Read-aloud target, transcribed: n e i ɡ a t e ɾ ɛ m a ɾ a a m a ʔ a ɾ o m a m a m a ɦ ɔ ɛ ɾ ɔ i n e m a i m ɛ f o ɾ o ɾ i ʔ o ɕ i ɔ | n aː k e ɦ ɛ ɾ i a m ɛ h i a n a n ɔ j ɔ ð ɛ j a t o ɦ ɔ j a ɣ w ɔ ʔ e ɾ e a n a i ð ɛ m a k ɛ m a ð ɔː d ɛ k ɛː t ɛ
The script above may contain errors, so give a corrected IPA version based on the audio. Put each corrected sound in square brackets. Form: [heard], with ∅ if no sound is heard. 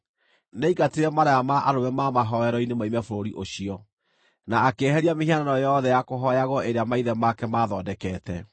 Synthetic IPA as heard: n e i ɡ a t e ɾ ɛ m a ɾ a a m a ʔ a ɾ o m [ɛ] m a m a ɦ ɔ ɛ ɾ ɔ i n e m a i m ɛ f o ɾ o ɾ i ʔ o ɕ i ɔ | n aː k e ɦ ɛ ɾ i a m [e] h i a n a n ɔ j ɔ ð ɛ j a [k] o ɦ ɔ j a ɣ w ɔ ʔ e ɾ e a [m] a i ð ɛ m a k ɛ m a ð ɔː d ɛ k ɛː t ɛ

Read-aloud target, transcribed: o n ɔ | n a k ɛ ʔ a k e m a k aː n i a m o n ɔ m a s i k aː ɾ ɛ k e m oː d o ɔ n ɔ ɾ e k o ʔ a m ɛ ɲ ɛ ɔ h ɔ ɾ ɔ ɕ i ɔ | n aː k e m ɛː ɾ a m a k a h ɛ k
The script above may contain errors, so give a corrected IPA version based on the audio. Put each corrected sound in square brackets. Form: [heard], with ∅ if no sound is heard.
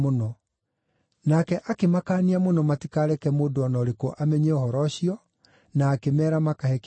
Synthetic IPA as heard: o n ɔ | n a k ɛ ʔ a k e m a k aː n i a m o n ɔ m a [t] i k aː ɾ ɛ k [ɛ] m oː d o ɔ n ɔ ɾ e k o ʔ a m ɛ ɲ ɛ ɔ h ɔ ɾ ɔ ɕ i ɔ | n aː k e m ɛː ɾ a m a k a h ɛ k

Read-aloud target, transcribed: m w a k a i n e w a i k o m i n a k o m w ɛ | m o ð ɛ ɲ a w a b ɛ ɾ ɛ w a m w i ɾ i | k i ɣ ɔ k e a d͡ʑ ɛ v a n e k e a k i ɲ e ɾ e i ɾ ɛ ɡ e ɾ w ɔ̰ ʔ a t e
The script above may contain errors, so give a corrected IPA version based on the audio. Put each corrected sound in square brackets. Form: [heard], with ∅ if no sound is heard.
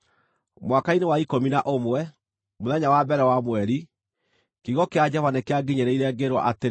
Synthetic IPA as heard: m w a k a i n e w a i k o m i n a [ʔ] o m w ɛ | m o ð ɛ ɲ a w a b ɛ ɾ ɛ w a m w [ɛ] ɾ i | k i ɣ ɔ k e a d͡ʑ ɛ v a n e k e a [ɡ] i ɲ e ɾ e i ɾ ɛ ɡ e ɾ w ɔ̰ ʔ a t e

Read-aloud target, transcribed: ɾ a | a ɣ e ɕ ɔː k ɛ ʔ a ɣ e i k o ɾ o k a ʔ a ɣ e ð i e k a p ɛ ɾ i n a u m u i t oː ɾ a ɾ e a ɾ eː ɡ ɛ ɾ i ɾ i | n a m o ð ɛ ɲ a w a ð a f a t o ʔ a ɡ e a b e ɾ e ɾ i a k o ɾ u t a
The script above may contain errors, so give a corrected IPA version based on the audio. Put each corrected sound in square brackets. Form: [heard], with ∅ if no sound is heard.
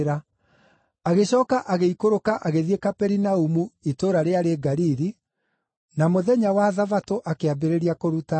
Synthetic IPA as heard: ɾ a | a ɣ e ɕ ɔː k [a] ʔ a ɣ e i k o ɾ o k a ʔ a ɣ e ð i e k a p ɛ ɾ i n a u m u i t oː ɾ a ɾ e a ɾ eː ɡ [a] ɾ i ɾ i | n a m o ð ɛ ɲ a w a ð a [v] a t o ʔ a [k] e a b e ɾ e ɾ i a k o ɾ u t a

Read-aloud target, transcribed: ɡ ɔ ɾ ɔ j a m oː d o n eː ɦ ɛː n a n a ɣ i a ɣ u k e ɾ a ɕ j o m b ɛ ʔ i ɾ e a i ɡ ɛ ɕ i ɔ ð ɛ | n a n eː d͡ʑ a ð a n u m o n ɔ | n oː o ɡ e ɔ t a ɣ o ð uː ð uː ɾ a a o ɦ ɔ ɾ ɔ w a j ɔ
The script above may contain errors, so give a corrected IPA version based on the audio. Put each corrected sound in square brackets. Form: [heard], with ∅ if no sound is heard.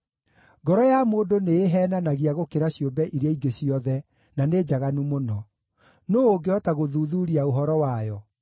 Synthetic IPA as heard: ɡ ɔ ɾ ɔ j a m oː d o n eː ɦ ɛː n a n a ɣ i a ɣ [o] k e ɾ a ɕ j o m b ɛ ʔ i ɾ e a i ɡ [e] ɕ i ɔ ð ɛ | n a n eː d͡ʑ a [ɣ] a n u m o n ɔ | n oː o ɡ e ɔ t a ɣ o ð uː ð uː ɾ [i] a o ɦ ɔ ɾ ɔ w a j ɔ

